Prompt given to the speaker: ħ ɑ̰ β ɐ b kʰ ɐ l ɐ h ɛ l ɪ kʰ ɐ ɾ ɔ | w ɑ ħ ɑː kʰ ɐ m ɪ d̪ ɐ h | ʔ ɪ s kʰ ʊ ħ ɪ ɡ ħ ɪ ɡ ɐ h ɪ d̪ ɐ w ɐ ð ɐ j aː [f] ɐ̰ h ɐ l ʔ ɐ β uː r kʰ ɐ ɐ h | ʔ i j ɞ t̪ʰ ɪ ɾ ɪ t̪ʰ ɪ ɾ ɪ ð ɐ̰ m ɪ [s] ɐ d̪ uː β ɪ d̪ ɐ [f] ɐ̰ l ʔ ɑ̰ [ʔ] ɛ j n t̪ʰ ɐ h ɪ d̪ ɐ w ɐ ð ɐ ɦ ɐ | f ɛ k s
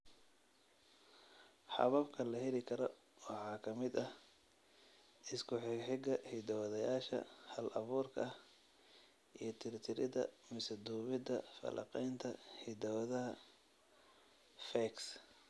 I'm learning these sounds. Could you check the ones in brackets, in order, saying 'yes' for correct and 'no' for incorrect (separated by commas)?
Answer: no, yes, yes, no